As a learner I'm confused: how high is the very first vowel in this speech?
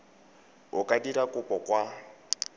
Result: high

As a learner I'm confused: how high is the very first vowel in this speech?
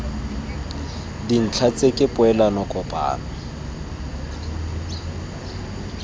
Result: high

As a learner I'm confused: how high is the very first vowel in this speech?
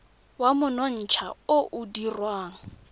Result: low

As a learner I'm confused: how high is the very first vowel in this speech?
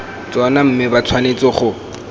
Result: mid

